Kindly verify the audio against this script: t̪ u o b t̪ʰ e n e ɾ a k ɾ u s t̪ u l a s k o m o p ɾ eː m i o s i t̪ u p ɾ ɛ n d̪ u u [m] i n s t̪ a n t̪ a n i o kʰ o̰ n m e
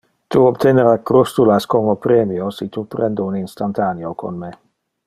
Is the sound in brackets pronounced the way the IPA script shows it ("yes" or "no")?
no